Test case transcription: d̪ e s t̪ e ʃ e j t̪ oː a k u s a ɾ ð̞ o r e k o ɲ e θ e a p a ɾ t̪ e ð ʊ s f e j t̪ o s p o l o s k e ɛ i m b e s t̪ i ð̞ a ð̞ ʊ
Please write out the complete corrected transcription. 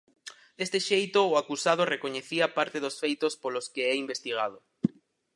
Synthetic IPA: d̪ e s t̪ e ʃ e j t̪ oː a k u s a ð̞ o r e k o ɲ e θ i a p a ɾ t̪ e ð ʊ s f e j t̪ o s p o l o s k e ɛ i m b e s t̪ i ɣ̞ a ð̞ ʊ